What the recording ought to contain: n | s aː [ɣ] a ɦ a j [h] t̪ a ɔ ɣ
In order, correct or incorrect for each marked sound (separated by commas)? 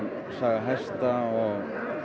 correct, incorrect